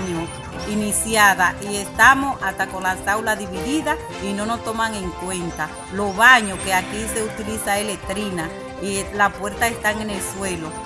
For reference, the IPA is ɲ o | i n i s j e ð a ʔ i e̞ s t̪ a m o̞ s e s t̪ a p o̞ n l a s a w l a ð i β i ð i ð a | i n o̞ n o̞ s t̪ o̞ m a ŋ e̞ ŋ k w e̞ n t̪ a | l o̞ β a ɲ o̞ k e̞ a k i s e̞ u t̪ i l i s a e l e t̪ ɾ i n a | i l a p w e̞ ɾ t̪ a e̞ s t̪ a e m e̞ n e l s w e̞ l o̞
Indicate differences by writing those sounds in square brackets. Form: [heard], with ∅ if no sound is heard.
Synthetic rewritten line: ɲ o | i n i s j [a] ð a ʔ i e̞ s t̪ a m o̞ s [a] s t̪ a [k] o̞ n l a s a w l a ð i β i ð i ð a | i n o̞ n o̞ s t̪ o̞ m a ŋ e̞ ŋ k w e̞ n t̪ a | l o̞ β a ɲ o̞ k e̞ a k i s e̞ u t̪ i l i s a e l e t̪ ɾ i n a | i l a p w e̞ ɾ t̪ a e̞ s t̪ a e [ŋ] e̞ n e l s w e̞ l o̞

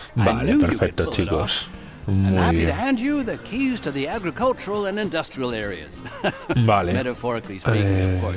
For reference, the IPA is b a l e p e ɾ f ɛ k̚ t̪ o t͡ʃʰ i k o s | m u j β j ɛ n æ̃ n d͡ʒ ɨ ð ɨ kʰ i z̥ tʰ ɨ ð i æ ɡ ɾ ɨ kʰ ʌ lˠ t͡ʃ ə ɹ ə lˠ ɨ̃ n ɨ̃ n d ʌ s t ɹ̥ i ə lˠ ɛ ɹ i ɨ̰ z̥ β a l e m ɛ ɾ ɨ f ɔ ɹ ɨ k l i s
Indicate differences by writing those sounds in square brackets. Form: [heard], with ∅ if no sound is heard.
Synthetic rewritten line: b a l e p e ɾ f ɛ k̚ t̪ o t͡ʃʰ i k o s | m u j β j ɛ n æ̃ n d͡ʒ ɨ ð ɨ kʰ i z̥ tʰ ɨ ð i æ ɡ [ɹ] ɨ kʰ ʌ lˠ t͡ʃ ə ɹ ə lˠ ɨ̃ n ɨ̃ n d ʌ s t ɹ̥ i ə lˠ ɛ ɹ i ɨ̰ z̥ [b] a l e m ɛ ɾ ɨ f ɔ ɹ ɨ k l i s

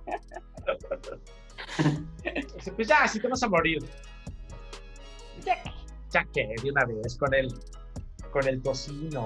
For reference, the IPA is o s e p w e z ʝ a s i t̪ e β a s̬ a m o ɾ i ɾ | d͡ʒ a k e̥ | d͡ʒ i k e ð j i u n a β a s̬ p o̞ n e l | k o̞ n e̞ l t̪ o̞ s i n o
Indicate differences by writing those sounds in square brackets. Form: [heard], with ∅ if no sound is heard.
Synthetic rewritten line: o s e p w e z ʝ a s i t̪ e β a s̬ a m o ɾ i ɾ | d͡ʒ a k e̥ | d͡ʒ [a] k e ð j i u n a β [e] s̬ [k] o̞ n e l | k o̞ n e̞ l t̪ o̞ s i n o

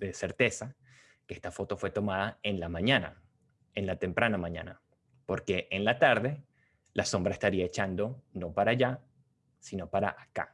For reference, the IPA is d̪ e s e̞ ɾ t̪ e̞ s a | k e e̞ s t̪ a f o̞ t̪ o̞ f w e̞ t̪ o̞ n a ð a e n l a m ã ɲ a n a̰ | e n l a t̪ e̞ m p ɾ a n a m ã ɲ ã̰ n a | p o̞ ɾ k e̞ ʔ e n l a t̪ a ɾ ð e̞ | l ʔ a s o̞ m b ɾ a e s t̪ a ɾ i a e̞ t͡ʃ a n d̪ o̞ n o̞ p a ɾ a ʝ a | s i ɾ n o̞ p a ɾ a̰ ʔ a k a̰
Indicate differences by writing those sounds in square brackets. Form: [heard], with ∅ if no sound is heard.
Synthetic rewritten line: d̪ e s e̞ ɾ t̪ e̞ s a | k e e̞ s t̪ a f o̞ t̪ o̞ f w e̞ t̪ o̞ [m] a ð a e n l a m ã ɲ a n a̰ | e n l a t̪ e̞ m p ɾ a n a m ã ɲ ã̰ n a | p o̞ ɾ k e̞ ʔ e n l a t̪ a ɾ ð e̞ | l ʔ a s o̞ m b ɾ a e s t̪ a ɾ i a e̞ t͡ʃ a n d̪ o̞ n o̞ p a ɾ a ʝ a | s i [∅] n o̞ p a ɾ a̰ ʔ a k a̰

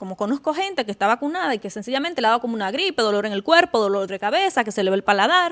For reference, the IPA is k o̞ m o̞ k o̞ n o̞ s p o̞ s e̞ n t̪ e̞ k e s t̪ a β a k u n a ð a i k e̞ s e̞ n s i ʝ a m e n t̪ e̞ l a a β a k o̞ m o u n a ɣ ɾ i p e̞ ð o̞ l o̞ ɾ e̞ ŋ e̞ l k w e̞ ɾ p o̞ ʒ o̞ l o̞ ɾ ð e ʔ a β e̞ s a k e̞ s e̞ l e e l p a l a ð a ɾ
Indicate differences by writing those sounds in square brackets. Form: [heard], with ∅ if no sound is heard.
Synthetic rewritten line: k o̞ m o̞ k o̞ n o̞ s [k] o̞ [x] e̞ n t̪ e̞ k e s t̪ a β a k u n a ð a i k e̞ s e̞ n s i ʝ a m e n t̪ e̞ l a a β a k o̞ m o u n a ɣ ɾ i p e̞ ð o̞ l o̞ ɾ e̞ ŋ e̞ l k w e̞ ɾ p o̞ [ð] o̞ l o̞ ɾ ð e [k] a β e̞ s a k e̞ s e̞ l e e l p a l a ð a ɾ

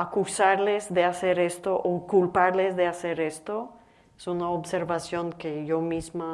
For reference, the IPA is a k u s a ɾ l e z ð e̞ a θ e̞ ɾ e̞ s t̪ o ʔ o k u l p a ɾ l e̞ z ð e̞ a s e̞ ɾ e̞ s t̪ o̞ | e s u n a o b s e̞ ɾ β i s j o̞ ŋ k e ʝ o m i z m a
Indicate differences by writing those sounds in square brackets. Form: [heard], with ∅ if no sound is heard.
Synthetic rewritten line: a k u s a ɾ l e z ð e̞ a [s] e̞ ɾ e̞ s t̪ o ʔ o k u l p a ɾ l e̞ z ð e̞ a s e̞ ɾ e̞ s t̪ o̞ | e s u n a o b s e̞ ɾ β [a] s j o̞ ŋ k e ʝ o m i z m a

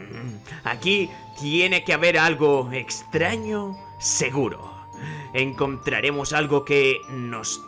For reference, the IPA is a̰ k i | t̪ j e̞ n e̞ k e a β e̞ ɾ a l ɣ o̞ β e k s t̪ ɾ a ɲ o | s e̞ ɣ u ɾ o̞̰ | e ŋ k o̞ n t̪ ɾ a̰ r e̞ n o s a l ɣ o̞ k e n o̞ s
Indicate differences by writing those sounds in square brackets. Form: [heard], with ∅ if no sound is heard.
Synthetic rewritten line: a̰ k i | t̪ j e̞ n e̞ k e a β e̞ ɾ a l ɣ o̞ [∅] e k s t̪ ɾ a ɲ o | s e̞ ɣ u ɾ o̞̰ | e ŋ k o̞ n t̪ ɾ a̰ [ɾ] e̞ [m] o s a l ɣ o̞ k e n o̞ s

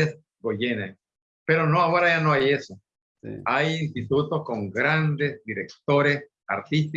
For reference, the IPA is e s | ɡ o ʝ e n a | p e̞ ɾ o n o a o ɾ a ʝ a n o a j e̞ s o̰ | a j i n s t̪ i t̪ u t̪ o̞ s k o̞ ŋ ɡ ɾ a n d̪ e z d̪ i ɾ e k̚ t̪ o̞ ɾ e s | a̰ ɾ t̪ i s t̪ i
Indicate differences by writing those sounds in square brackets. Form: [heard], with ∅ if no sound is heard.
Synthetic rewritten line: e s | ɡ o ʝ e n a | p e̞ ɾ o n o a o ɾ a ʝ a n o a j e̞ s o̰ | a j i n s t̪ i t̪ u t̪ o̞ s k o̞ ŋ ɡ ɾ a n d̪ e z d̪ i ɾ e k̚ t̪ o̞ ɾ e s | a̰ ɾ t̪ i s t̪ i

